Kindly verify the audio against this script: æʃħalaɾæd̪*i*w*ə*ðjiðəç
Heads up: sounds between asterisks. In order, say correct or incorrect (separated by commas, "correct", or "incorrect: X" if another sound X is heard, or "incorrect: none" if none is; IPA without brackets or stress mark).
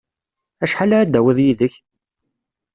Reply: incorrect: æ, correct